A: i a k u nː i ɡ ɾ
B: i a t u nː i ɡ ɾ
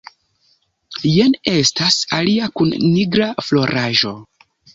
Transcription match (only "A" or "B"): A